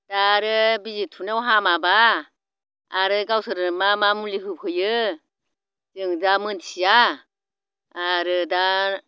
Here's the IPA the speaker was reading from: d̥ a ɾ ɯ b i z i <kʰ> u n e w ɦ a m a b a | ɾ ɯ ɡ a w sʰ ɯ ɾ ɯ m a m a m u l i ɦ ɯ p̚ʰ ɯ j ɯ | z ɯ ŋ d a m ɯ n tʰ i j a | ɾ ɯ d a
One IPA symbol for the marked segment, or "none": tʰ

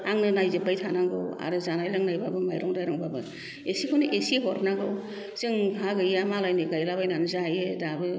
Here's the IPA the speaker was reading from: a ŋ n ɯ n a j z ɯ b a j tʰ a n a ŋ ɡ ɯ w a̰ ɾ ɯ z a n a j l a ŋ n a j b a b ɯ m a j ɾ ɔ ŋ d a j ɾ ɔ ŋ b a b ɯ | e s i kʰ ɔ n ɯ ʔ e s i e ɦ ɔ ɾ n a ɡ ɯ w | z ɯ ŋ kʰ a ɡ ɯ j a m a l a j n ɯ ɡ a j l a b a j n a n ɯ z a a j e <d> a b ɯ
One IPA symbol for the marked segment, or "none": d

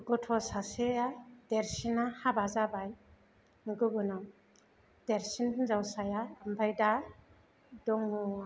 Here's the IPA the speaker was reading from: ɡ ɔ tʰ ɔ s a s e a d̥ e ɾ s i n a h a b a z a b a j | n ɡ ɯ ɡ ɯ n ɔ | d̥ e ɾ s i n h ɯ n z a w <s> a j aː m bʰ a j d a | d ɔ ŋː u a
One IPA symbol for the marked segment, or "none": s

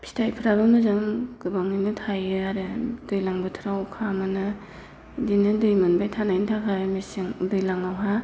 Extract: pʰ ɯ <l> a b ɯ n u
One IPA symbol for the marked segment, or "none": ɾ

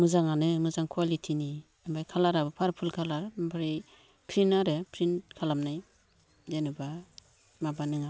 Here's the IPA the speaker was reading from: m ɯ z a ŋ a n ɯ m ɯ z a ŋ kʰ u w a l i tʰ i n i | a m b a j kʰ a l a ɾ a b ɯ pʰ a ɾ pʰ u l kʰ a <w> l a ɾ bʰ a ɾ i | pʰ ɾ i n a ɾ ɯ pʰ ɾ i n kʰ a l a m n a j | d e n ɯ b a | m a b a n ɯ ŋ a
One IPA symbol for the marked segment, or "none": none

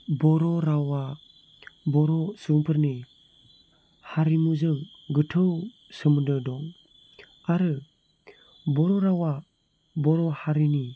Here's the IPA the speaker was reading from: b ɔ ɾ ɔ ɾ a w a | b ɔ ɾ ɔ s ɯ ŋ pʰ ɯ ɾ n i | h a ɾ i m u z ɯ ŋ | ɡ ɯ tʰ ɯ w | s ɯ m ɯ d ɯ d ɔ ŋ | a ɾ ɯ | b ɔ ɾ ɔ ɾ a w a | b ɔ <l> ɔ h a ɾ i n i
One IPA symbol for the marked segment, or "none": ɾ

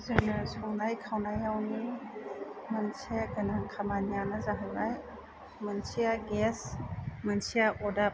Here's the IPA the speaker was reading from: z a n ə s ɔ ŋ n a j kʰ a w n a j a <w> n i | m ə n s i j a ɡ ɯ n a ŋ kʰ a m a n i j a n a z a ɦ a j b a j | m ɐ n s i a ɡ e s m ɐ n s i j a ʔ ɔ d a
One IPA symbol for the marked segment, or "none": w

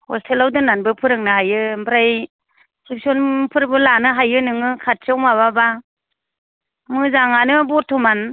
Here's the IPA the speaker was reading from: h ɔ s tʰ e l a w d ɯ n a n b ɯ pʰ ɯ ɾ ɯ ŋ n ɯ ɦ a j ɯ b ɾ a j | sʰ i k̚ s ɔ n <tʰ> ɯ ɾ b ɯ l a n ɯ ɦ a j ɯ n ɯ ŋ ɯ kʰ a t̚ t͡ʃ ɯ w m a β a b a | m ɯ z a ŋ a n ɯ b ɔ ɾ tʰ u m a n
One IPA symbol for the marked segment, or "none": pʰ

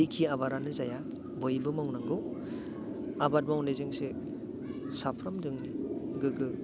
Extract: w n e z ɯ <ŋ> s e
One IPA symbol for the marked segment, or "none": ŋ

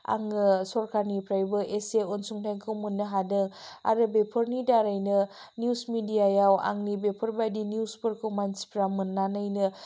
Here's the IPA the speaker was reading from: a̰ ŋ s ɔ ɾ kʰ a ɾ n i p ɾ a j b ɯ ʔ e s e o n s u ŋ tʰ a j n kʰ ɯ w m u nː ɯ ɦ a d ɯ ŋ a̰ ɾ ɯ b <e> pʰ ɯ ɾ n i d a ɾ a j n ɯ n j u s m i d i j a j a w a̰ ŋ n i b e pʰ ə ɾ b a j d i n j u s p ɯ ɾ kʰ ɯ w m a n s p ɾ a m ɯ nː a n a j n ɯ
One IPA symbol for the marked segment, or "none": e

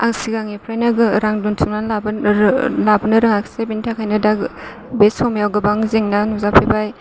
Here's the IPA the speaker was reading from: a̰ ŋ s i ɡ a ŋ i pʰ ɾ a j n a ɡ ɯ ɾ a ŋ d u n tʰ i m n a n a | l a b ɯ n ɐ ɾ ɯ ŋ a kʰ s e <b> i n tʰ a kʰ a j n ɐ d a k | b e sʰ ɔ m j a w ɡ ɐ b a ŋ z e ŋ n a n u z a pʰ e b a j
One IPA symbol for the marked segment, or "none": b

